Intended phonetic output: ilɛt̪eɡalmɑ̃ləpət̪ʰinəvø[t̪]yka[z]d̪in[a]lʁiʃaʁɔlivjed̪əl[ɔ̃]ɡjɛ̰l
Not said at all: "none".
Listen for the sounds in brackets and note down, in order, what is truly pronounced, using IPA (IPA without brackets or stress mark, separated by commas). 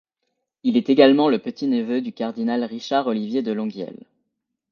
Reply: d̪, ʁ, a, ɔ̃